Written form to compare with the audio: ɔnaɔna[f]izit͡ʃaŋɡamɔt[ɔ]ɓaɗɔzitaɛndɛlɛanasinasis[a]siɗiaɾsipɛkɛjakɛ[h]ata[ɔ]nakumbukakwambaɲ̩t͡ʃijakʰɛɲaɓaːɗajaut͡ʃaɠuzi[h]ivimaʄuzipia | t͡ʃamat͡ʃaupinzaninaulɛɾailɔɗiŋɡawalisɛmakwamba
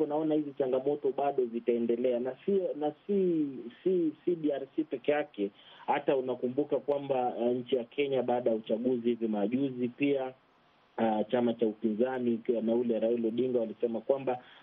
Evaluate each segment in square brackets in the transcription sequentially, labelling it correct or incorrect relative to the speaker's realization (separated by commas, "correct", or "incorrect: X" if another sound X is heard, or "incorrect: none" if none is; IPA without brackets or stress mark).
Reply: incorrect: h, correct, incorrect: i, correct, incorrect: u, correct